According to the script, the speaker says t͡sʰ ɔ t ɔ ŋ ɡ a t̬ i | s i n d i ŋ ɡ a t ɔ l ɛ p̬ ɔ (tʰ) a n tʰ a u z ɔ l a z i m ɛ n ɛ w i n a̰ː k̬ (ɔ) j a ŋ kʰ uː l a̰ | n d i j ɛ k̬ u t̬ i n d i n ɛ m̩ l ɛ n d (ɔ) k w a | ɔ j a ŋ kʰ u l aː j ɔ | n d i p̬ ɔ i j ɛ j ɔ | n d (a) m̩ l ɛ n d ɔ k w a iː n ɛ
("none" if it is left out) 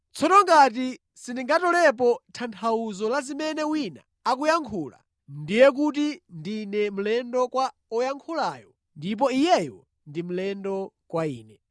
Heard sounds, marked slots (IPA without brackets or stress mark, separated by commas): tʰ, u, ɔ, i